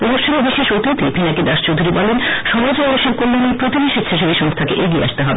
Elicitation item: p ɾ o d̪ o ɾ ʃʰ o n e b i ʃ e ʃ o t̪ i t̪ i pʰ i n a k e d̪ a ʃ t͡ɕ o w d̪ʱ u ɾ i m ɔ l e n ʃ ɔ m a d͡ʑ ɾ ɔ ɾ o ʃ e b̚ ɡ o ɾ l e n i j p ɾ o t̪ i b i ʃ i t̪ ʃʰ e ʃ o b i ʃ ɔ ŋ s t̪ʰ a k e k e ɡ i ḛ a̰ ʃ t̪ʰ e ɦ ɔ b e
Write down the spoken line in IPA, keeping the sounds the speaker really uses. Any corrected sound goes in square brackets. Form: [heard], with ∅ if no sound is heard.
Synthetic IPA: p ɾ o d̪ o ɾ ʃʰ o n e b i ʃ e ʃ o t̪ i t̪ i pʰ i n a k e d̪ a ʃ t͡ɕ o w d̪ʱ u ɾ i [b] ɔ l e n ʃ ɔ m a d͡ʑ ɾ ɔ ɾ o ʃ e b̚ [k] o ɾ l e n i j p ɾ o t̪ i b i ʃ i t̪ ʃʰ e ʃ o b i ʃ ɔ ŋ s t̪ʰ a k e [ʔ] e ɡ i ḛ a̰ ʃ [t̪] e ɦ ɔ b e